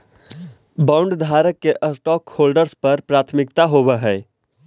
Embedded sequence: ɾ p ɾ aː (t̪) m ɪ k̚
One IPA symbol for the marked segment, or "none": t̪ʰ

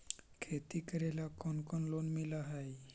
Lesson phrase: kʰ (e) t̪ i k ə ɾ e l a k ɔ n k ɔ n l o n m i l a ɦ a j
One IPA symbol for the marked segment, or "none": e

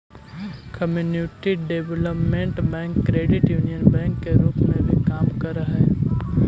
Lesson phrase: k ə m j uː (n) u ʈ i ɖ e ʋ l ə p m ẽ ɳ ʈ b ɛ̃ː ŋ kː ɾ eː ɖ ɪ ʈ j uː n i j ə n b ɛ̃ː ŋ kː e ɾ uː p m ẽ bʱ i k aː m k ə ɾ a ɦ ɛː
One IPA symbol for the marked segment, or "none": n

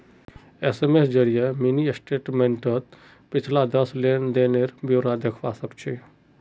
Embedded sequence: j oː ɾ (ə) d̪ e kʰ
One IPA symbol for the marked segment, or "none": a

